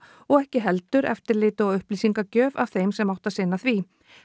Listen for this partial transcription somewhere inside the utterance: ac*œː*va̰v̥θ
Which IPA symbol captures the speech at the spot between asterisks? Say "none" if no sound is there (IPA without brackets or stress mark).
œː